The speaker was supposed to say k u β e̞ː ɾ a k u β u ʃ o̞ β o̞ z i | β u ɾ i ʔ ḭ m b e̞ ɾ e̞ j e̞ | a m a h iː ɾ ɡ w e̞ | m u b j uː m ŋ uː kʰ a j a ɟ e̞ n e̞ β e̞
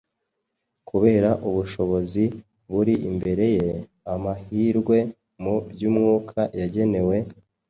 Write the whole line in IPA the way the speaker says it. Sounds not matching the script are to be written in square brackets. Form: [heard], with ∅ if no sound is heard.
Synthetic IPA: k u β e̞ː ɾ a [ʔ] u β u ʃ o̞ β o̞ z i | β u ɾ i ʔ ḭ m b e̞ ɾ e̞ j e̞ | a m a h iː ɾ ɡ w e̞ | m u b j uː m ŋ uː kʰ a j a ɟ e̞ n e̞ [w] e̞